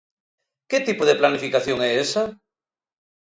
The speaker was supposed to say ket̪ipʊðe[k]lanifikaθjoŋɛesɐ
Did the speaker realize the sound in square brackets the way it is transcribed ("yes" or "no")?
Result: no